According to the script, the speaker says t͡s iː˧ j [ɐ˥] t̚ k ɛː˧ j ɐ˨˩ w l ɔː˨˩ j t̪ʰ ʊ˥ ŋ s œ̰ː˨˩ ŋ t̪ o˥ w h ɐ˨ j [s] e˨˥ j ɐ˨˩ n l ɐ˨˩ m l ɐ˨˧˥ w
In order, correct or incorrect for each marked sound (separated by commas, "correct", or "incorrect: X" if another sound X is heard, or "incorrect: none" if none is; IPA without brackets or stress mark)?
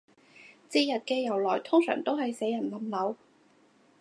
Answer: incorrect: ɐ˨, correct